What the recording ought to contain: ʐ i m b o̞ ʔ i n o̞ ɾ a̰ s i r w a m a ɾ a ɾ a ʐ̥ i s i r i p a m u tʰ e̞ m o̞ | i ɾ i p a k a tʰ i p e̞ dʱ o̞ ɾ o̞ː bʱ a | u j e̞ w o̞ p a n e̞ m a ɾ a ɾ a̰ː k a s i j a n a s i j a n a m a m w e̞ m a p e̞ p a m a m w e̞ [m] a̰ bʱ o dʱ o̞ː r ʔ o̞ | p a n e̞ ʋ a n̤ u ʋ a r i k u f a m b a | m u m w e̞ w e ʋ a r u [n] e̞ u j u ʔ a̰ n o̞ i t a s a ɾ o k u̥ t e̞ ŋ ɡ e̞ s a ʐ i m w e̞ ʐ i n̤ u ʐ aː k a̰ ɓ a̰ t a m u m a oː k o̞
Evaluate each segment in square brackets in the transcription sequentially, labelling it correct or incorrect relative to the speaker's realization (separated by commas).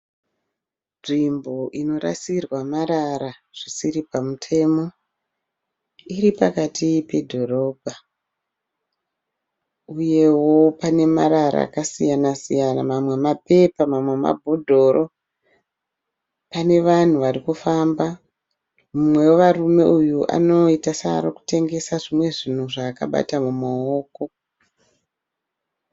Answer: correct, incorrect